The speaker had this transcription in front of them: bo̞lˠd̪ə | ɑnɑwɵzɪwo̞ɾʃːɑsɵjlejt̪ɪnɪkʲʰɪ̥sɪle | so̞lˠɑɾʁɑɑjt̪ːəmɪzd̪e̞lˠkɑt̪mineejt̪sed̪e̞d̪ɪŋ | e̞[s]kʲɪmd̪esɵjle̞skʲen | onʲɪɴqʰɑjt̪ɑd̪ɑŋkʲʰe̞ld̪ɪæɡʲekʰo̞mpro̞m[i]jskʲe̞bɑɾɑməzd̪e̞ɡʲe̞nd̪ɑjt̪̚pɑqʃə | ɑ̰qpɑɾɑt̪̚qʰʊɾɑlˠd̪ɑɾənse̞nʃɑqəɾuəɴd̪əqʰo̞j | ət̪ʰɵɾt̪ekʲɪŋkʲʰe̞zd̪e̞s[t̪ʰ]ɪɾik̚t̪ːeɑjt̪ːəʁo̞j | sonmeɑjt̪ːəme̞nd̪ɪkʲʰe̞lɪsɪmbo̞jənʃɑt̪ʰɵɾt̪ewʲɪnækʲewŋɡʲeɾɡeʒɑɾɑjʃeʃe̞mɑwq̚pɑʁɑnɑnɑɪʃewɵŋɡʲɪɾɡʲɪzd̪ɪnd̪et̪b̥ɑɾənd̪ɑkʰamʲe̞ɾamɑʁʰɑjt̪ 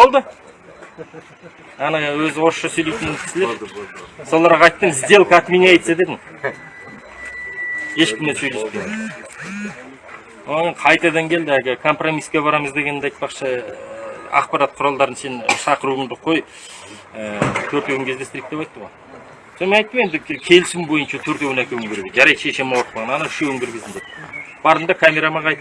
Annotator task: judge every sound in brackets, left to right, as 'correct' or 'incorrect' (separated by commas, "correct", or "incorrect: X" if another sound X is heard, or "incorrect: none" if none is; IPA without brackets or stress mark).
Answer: incorrect: ʃ, correct, incorrect: t̪